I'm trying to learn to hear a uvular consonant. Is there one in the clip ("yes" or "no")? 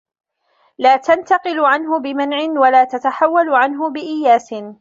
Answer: yes